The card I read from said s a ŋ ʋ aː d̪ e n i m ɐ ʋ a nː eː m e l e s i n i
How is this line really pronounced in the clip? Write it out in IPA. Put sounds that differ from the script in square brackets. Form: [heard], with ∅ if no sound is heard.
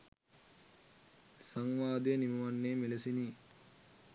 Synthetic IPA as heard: s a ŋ ʋ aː d̪ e n i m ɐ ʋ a nː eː m e l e s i n i